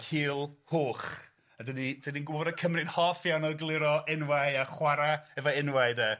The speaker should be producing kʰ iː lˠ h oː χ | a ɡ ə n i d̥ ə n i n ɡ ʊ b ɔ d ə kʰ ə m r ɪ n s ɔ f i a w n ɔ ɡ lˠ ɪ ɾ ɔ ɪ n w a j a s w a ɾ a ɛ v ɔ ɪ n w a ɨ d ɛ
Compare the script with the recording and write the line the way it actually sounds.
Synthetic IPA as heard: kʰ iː lˠ h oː χ | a d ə n i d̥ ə n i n ɡ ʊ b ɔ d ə kʰ ə m r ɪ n h ɔ f j a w n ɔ ɡ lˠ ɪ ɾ ɔ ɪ n w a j a χ w a ɾ a ɛ v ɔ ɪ n w a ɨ d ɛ